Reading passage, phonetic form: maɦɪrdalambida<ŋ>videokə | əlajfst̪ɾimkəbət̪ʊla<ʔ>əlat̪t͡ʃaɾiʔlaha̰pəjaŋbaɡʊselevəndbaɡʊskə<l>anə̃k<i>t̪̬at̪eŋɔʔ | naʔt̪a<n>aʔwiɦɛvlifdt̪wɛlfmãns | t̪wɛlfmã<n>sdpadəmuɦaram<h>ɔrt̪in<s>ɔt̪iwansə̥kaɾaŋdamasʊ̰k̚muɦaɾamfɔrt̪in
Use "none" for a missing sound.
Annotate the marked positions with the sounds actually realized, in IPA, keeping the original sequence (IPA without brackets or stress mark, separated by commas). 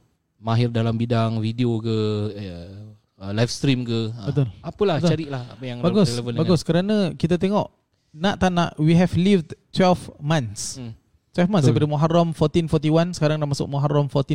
ŋ, p, ɾ, i, n, n, f, f